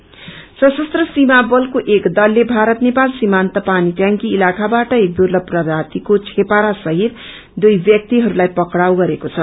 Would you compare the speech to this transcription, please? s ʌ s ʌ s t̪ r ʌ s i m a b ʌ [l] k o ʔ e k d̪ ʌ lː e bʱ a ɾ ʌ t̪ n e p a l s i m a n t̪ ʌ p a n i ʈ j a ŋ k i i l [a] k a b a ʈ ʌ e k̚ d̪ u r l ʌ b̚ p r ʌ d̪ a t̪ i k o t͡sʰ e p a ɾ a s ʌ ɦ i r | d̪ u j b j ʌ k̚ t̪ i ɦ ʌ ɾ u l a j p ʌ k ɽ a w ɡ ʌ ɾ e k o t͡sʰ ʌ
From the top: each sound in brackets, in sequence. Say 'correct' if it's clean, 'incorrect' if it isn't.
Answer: correct, correct

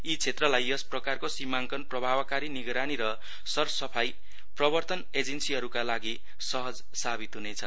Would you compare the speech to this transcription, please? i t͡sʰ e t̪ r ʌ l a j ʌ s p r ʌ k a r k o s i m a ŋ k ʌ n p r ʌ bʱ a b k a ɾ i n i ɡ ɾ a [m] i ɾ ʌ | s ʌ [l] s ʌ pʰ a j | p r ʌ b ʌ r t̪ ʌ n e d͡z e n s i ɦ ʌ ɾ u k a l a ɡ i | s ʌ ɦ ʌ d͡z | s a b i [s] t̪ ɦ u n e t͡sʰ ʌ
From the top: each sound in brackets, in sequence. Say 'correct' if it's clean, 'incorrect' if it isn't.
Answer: incorrect, incorrect, incorrect

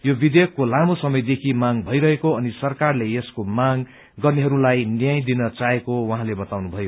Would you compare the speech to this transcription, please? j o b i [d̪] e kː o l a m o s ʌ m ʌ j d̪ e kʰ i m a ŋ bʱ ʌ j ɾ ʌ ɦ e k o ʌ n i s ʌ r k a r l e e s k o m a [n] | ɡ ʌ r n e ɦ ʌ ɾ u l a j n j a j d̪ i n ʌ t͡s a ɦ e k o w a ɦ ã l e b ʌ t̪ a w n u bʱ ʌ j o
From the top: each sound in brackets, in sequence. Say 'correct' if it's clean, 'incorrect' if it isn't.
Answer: correct, incorrect

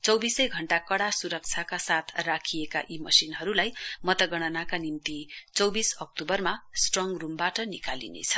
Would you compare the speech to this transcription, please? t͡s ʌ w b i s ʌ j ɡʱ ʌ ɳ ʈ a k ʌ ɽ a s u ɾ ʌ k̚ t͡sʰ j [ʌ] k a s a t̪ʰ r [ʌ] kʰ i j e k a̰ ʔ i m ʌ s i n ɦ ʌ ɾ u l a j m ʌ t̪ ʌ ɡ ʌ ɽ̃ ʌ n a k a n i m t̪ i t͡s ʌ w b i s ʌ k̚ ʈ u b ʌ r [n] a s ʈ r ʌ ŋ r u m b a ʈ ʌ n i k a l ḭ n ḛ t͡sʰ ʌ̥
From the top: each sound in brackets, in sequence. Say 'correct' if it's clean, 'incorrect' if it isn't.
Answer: incorrect, incorrect, incorrect

